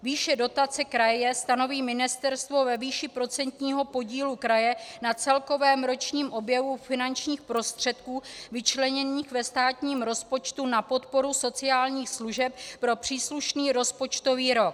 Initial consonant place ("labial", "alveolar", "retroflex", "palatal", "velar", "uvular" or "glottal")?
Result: labial